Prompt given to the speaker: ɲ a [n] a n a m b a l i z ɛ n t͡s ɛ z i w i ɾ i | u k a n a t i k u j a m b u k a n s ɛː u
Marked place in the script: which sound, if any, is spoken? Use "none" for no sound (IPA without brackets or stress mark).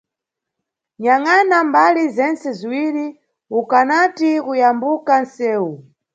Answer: ŋ